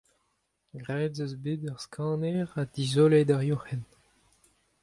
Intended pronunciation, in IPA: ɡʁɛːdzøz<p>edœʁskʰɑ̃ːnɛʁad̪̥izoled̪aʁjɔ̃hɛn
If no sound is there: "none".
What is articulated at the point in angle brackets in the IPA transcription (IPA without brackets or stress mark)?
b